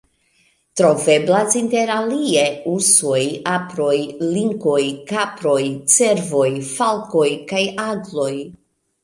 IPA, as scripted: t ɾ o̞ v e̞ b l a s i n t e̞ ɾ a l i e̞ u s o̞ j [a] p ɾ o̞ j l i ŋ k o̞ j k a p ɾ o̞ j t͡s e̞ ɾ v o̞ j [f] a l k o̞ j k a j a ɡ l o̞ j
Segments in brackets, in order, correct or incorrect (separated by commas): correct, correct